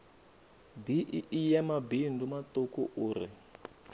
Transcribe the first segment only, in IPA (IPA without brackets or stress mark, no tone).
b